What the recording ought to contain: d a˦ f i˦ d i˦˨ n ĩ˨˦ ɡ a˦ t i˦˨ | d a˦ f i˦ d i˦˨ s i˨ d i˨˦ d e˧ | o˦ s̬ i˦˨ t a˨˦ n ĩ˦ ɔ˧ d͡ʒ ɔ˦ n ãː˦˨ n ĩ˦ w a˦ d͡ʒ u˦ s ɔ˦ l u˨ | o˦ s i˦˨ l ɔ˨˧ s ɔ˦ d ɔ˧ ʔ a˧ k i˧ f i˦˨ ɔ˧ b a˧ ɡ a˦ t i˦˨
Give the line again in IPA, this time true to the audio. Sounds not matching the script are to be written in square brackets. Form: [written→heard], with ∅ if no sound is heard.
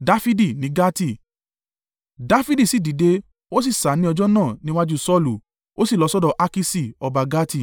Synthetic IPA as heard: d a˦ f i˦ d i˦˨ n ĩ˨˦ ɡ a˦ t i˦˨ | d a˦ f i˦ d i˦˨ s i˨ d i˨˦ d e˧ | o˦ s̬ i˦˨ [t→s] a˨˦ n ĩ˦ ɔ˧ d͡ʒ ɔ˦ n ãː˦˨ n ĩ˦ w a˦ d͡ʒ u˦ s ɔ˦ l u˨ | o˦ s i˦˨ l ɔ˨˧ s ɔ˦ d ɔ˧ ʔ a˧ k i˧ [f→s] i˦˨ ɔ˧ b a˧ ɡ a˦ t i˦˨